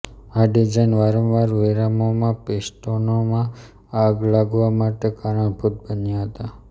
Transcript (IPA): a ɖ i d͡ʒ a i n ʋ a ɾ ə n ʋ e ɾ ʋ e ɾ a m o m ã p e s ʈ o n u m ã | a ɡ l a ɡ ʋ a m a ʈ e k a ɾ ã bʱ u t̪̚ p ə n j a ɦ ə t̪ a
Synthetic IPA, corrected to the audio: a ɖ i d͡ʒ a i n ʋ a ɾ ə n ʋ a ɾ ʋ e ɾ a m o m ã p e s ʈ o n o m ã | a ɡ l a ɡ ʋ a m a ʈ e k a ɾ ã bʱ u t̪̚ b ə n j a ɦ ə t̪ a